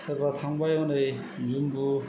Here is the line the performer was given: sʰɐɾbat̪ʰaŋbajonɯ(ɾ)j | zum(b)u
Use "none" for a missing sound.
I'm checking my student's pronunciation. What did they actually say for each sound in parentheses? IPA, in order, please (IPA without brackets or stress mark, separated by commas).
none, b